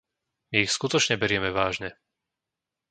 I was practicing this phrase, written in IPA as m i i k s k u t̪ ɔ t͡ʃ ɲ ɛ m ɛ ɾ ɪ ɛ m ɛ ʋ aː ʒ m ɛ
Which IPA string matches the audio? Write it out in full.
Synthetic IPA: m i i x s k u t̪ ɔ t͡ʃ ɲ ɛ b ɛ ɾ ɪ ɛ m ɛ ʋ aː ʒ ɲ ɛ

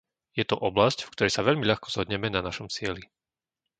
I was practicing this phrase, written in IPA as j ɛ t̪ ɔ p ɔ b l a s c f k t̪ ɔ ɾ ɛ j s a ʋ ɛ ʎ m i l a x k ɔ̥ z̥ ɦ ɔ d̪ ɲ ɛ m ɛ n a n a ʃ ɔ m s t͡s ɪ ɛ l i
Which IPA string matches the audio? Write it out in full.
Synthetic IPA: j ɛ t̪ ɔ ʔ ɔ b l a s c f k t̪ ɔ ɾ ɛ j s a ʋ ɛ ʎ m i ʎ a x k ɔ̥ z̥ ɦ ɔ d̪ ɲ ɛ m ɛ n a n a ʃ ɔ m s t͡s ɪ ɛ l i

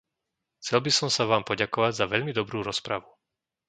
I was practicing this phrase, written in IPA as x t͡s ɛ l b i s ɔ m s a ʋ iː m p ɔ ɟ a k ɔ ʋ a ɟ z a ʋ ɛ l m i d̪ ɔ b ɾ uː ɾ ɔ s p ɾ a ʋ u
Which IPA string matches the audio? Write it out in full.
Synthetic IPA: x t͡s ɛ l b i s ɔ m s a ʋ aː m p ɔ ɟ a k ɔ ʋ a ɟ z a ʋ ɛ ʎ m i d̪ ɔ b ɾ uː ɾ ɔ s p ɾ a ʋ u

